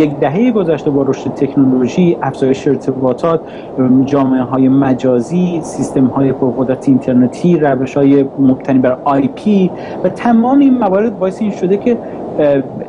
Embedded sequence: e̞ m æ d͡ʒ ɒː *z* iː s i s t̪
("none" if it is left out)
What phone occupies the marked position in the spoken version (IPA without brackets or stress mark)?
z